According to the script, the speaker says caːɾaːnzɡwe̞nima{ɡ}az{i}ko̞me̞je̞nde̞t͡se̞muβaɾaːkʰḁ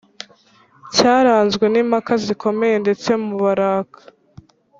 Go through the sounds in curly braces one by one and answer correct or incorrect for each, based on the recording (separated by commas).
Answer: incorrect, correct